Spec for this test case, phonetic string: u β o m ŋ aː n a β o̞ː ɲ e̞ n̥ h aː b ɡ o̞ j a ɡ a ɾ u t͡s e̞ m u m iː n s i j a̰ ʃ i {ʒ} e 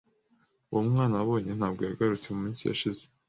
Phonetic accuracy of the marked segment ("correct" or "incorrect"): incorrect